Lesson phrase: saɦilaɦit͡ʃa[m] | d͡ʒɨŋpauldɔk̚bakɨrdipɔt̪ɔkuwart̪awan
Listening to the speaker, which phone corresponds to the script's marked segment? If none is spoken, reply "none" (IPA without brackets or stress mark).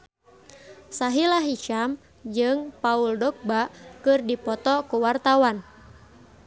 m